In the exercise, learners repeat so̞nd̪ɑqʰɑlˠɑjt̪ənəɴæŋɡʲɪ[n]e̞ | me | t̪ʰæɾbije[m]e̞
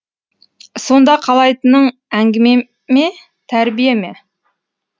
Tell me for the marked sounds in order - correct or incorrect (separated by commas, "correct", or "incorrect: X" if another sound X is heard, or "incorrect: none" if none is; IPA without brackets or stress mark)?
incorrect: m, correct